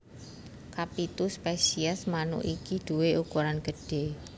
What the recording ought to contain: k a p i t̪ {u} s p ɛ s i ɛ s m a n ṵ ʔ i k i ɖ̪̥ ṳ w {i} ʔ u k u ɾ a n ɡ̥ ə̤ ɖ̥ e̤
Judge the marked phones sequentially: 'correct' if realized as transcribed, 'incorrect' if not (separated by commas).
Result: correct, incorrect